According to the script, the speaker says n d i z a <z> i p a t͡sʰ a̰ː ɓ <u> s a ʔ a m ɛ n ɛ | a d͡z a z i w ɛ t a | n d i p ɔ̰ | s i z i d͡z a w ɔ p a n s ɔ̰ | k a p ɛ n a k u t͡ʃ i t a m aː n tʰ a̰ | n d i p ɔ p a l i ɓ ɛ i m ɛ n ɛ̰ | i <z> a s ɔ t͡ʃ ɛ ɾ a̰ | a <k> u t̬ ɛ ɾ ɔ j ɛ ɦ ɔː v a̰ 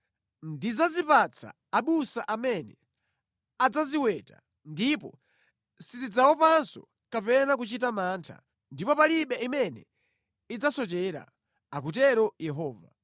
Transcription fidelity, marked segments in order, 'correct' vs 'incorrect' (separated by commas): correct, correct, incorrect, correct